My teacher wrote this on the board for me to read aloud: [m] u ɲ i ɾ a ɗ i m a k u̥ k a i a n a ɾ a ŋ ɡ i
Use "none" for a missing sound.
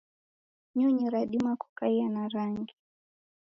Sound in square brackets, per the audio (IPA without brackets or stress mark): ɲ